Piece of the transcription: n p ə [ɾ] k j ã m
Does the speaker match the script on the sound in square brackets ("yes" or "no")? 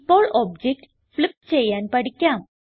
no